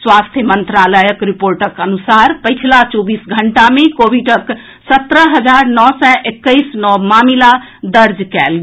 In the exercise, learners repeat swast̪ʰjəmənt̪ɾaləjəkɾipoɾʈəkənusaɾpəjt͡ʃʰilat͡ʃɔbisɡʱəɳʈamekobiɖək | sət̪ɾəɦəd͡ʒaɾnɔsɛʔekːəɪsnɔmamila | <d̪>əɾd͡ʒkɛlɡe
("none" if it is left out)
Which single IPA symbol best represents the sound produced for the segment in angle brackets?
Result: d̪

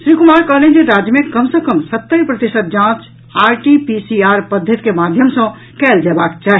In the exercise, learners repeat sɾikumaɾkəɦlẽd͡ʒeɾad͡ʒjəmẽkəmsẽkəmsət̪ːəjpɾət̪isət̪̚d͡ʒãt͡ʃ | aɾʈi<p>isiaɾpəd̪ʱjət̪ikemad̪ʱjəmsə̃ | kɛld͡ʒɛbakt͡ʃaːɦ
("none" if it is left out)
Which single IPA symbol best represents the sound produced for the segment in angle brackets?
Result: p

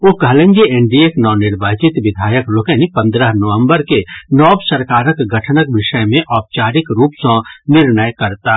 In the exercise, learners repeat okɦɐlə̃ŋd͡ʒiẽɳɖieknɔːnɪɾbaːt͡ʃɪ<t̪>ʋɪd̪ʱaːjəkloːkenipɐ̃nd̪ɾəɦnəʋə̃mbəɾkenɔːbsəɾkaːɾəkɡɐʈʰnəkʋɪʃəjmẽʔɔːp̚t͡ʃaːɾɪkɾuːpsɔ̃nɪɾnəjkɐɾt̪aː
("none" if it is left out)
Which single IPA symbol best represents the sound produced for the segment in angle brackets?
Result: t̪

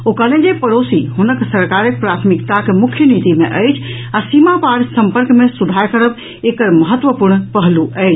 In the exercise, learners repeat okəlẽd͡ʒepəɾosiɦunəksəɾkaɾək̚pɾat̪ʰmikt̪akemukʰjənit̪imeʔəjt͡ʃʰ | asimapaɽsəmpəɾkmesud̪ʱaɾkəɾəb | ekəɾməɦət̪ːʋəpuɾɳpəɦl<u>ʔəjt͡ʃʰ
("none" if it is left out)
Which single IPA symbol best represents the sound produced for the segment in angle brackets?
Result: u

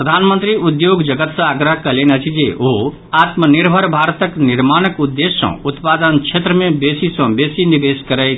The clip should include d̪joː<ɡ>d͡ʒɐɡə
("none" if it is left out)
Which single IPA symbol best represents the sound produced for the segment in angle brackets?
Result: ɡ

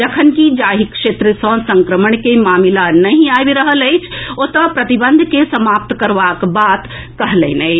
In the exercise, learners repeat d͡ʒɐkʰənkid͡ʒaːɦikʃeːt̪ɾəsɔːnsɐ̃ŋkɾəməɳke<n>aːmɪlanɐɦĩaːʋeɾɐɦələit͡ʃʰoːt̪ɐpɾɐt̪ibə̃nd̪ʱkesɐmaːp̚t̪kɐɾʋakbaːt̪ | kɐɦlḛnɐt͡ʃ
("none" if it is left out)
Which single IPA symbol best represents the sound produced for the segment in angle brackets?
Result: m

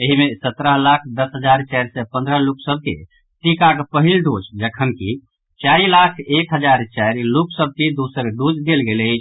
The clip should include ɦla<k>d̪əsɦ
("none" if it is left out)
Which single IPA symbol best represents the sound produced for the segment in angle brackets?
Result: kʰ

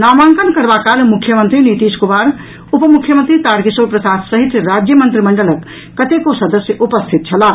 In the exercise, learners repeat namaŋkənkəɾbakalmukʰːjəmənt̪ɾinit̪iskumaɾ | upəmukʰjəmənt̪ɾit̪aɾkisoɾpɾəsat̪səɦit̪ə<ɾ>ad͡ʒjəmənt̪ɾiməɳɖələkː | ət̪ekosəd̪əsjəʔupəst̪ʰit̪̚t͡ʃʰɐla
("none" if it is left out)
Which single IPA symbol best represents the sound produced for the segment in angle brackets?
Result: ɾ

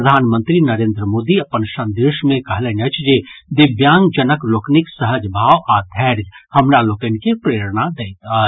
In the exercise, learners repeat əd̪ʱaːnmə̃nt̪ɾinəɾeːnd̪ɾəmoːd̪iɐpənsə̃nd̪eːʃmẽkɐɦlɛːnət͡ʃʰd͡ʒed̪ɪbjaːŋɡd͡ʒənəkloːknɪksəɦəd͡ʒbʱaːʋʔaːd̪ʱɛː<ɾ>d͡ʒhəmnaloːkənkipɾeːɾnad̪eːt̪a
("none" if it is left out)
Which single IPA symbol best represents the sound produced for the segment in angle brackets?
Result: ɾ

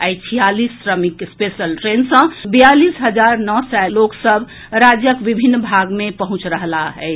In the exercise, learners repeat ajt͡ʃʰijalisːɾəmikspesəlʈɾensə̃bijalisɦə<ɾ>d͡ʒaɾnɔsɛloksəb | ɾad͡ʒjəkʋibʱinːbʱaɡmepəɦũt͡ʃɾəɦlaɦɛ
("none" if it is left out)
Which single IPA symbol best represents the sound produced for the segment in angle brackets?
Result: none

